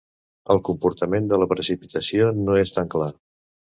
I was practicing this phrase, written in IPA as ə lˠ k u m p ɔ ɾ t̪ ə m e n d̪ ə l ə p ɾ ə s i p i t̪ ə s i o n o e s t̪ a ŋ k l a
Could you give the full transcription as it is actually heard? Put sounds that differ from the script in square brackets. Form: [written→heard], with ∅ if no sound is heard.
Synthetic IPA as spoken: ə lˠ k u m p [ɔ→u] ɾ t̪ ə m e n d̪ ə l ə p ɾ ə s i p i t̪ ə s i o n o e s t̪ a ŋ k l a